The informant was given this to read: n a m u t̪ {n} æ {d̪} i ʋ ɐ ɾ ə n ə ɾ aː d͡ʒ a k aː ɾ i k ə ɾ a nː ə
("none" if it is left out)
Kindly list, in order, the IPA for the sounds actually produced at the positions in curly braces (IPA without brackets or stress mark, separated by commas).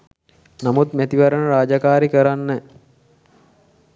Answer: m, t̪